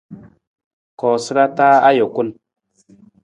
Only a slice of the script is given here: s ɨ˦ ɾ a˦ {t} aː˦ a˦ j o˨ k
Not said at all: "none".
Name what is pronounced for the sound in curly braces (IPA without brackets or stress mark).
t